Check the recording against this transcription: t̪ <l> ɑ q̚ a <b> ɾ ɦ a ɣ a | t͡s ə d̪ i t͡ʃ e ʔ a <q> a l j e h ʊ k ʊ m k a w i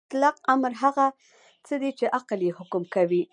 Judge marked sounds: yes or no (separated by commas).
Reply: yes, no, yes